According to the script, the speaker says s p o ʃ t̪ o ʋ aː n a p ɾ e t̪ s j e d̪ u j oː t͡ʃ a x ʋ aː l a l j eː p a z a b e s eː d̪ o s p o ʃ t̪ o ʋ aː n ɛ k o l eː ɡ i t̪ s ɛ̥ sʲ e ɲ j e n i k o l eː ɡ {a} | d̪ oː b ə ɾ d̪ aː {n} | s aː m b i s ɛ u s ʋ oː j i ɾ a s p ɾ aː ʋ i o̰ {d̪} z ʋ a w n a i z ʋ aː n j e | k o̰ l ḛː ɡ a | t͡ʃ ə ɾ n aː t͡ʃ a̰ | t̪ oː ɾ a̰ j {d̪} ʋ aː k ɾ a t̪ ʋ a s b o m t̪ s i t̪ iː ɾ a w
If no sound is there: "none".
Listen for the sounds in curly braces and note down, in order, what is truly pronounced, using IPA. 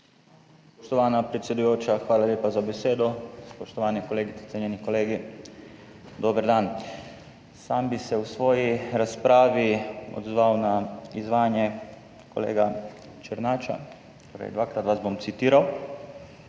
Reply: i, n, d̪, d̪

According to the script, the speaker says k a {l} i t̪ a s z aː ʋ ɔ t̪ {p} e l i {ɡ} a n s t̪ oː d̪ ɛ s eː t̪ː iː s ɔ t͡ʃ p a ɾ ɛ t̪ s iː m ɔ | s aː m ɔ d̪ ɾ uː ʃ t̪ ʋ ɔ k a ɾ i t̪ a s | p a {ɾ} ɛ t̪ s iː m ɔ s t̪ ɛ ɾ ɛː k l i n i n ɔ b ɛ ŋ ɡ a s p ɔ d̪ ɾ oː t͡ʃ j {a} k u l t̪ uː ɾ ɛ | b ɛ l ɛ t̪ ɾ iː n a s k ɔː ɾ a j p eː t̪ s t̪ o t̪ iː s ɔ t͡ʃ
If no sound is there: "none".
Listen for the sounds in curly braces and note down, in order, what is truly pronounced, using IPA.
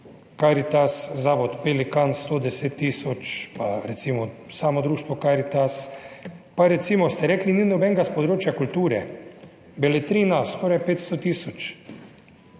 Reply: ɾ, p, k, ɾ, a

